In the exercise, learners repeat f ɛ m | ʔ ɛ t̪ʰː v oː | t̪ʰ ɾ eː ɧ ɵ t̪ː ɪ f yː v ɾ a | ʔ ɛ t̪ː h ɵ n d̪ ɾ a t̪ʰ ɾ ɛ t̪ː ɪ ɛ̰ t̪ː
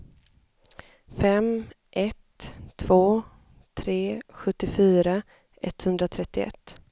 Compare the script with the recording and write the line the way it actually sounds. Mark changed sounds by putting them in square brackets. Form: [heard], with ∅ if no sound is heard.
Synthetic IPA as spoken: f ɛ m | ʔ ɛ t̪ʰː v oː | t̪ʰ ɾ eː ɧ ɵ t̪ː ɪ f yː [∅] ɾ a | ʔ ɛ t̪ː h ɵ n d̪ ɾ a t̪ʰ ɾ ɛ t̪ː ɪ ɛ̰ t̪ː